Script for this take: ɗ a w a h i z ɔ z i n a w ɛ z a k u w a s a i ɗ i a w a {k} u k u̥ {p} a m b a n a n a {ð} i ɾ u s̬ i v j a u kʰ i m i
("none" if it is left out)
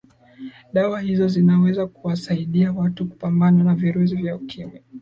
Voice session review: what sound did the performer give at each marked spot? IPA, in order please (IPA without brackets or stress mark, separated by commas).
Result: t, p, v